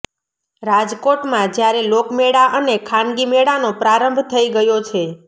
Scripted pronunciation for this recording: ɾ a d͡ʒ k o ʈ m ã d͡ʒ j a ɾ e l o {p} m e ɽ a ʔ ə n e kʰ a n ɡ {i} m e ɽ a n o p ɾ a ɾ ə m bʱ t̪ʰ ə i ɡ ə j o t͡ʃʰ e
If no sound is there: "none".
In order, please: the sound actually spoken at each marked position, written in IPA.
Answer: k, i

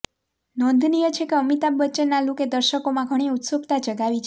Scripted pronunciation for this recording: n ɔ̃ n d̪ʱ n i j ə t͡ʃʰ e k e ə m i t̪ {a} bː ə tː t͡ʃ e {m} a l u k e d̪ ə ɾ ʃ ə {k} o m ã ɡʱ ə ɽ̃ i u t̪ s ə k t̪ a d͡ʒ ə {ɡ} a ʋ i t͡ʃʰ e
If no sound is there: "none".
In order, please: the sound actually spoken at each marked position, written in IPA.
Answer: a, n, k, ɡ

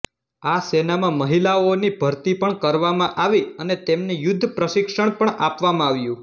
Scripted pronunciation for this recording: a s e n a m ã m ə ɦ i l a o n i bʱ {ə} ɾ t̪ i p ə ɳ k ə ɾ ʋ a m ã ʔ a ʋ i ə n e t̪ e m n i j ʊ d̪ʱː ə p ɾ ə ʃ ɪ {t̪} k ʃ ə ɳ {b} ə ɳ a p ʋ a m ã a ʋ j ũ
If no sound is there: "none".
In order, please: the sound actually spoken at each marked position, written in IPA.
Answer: ə, none, p

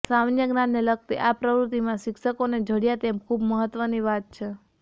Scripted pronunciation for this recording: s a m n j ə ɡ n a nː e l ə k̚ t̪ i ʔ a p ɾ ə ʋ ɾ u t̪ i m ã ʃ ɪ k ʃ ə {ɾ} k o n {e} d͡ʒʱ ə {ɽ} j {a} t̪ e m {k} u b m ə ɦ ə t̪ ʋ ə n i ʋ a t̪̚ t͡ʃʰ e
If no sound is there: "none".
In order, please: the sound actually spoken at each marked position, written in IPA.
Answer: none, e, ɽ, a, kʰ

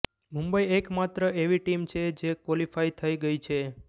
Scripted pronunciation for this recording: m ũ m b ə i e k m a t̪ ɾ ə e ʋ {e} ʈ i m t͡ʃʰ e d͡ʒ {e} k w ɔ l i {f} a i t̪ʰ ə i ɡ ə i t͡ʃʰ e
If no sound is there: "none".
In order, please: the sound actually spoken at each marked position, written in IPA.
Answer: i, e, f

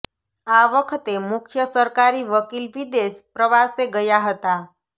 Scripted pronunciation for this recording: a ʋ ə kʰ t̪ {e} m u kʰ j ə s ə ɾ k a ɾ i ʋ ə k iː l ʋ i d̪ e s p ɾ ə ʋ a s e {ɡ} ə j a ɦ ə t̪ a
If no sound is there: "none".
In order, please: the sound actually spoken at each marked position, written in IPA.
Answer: e, ɡ

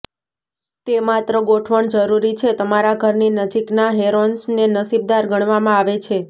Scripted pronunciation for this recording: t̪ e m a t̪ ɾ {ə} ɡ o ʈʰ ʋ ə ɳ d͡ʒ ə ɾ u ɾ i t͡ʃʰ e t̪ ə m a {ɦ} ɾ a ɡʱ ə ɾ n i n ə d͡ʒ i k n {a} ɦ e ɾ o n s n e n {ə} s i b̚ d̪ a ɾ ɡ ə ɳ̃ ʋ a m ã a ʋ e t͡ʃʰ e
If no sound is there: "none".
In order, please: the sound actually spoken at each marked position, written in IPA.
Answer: ə, none, a, ə

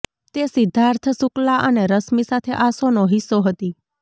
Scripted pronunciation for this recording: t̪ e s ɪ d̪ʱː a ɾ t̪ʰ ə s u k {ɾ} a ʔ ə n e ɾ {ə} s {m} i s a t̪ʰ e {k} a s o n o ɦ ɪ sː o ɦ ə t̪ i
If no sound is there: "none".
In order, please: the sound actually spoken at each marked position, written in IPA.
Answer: l, ə, m, ʔ

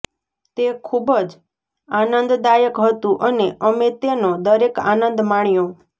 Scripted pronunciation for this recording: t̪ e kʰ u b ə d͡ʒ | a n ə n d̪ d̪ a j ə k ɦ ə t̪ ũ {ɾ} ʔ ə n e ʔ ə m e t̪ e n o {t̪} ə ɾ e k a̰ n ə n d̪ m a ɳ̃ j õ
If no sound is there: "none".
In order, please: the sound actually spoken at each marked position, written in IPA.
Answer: none, d̪

